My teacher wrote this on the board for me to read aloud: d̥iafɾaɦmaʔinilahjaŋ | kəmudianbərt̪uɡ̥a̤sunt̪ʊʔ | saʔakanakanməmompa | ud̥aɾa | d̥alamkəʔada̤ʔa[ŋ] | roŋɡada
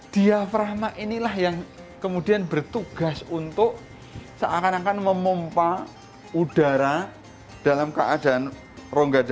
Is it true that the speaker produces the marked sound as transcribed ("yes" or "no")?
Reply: no